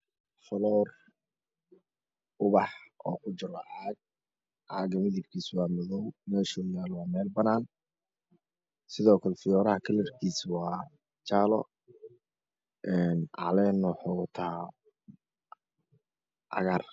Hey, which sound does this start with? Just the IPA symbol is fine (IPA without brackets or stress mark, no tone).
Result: f